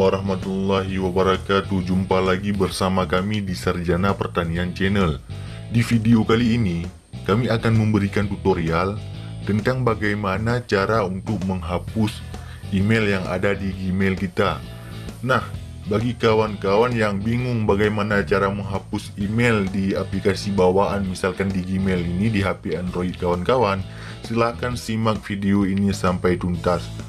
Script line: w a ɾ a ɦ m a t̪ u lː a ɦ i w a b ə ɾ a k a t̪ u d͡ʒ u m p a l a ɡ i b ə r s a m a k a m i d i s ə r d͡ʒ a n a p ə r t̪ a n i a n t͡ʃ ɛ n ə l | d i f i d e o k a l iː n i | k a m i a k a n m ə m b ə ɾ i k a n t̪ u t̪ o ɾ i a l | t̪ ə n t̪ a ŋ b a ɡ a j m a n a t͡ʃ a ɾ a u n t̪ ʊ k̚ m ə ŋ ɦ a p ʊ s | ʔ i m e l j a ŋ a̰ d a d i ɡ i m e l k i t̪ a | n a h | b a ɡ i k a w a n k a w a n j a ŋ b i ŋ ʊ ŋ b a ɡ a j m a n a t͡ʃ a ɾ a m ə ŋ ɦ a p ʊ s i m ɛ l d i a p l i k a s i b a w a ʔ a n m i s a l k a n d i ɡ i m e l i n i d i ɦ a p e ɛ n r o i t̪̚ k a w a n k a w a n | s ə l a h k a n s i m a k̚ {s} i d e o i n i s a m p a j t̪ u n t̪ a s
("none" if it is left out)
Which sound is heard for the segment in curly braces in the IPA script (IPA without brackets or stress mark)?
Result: f